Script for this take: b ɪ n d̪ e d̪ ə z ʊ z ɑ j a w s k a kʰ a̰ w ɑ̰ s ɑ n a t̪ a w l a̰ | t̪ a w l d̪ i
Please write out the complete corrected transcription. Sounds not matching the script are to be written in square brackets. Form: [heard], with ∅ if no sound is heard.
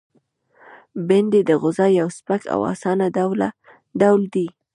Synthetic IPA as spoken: b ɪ n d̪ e d̪ ə [ɣ] ʊ z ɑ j a w s [p] a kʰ a̰ w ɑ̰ s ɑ n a [d̪] a w l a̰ | [d̪] a w l d̪ i